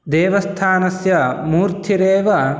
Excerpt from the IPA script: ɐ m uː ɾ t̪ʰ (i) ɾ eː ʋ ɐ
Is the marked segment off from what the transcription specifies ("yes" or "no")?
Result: no